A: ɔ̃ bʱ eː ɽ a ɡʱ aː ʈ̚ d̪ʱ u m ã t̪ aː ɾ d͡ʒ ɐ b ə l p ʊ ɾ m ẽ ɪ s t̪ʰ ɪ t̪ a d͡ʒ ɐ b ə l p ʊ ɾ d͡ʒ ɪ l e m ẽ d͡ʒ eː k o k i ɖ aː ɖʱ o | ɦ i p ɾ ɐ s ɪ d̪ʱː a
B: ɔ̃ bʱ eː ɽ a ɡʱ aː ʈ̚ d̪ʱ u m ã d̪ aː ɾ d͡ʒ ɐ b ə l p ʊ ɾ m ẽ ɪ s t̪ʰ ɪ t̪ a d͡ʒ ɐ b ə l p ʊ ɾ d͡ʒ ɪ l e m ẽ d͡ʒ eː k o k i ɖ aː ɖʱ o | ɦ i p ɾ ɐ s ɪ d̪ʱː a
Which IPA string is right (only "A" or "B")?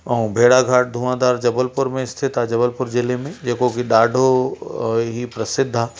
B